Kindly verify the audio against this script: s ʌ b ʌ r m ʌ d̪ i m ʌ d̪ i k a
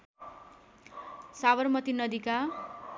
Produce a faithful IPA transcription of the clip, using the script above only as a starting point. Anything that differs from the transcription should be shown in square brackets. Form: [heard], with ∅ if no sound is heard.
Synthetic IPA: s [a] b ʌ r m ʌ [t̪] i [n] ʌ d̪ i k a